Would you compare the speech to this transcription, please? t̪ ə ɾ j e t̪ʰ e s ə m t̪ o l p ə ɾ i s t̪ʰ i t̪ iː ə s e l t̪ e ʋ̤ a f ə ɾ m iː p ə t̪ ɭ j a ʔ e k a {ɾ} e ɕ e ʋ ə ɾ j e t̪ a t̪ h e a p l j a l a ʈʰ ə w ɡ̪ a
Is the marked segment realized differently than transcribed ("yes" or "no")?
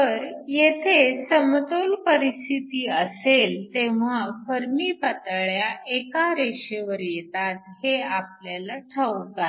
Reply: no